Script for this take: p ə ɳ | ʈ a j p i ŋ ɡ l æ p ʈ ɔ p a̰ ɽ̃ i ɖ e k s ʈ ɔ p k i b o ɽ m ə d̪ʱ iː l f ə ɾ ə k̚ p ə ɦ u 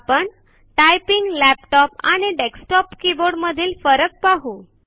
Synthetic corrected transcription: p ə ɳ | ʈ a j p i ŋ ɡ l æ p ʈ ɔ p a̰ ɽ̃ i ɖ e k s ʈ ɔ p k i b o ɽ m ə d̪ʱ iː l f ə ɾ ə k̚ p a ɦ u